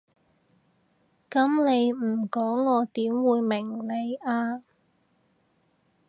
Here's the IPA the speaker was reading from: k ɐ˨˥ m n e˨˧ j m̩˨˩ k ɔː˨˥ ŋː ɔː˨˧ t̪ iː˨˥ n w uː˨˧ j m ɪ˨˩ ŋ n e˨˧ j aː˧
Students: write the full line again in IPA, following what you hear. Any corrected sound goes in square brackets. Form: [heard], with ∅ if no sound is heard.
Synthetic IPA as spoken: k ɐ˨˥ m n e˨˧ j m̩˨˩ k ɔː˨˥ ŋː ɔː˨˧ t̪ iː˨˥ [m] w uː˨˧ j m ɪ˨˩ ŋ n e˨˧ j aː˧